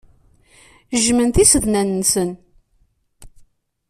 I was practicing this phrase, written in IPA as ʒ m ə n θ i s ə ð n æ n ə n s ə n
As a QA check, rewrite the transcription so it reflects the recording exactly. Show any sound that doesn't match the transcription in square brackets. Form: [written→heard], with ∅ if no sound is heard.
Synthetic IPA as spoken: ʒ m ə n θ i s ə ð n æ n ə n s ə n